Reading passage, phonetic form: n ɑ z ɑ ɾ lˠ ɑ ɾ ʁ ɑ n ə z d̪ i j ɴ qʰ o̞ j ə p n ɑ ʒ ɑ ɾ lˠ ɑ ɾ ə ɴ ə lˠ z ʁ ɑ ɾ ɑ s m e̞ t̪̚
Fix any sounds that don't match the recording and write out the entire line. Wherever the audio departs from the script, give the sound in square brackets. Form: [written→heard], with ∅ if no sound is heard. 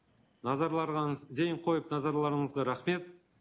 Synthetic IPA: n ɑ z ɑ ɾ lˠ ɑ ɾ ʁ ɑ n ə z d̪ [i→e] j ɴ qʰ o̞ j ə p n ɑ [ʒ→z] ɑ ɾ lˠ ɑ ɾ ə ɴ ə [lˠ→∅] z ʁ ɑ ɾ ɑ [s→χ] m e̞ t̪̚